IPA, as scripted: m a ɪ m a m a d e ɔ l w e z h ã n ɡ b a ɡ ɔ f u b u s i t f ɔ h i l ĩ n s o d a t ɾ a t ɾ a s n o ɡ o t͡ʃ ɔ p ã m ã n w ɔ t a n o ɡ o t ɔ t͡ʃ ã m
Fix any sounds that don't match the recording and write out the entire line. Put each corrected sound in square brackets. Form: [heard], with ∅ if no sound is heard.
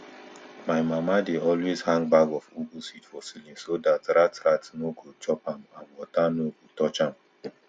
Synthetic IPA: m a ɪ m a m a d e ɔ l w e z h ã [ŋ] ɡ b a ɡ ɔ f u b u s i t f ɔ [s] i l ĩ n s o d a t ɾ a t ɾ a [t] n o ɡ o t͡ʃ ɔ p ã m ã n w ɔ t a n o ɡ o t ɔ t͡ʃ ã m